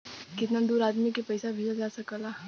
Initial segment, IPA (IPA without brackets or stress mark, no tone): k